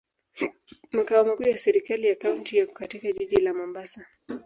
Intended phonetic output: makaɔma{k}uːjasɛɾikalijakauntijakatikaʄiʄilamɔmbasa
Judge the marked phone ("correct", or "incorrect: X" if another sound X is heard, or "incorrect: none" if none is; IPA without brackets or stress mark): correct